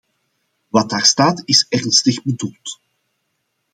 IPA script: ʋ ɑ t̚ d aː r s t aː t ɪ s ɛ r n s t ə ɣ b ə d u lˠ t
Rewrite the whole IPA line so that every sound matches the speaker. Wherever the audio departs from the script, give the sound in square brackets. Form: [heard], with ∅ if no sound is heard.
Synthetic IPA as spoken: ʋ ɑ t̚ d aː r s t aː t ɪ s ɛ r n s t ə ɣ b ə d u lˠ t